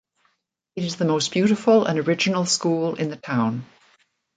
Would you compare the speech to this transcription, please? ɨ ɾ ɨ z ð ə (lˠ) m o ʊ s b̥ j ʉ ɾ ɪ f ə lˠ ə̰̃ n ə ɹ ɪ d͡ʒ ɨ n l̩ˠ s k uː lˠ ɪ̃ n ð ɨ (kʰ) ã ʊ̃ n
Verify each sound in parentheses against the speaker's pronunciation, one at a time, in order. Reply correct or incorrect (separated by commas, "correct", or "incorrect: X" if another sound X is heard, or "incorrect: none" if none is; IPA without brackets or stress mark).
incorrect: none, incorrect: tʰ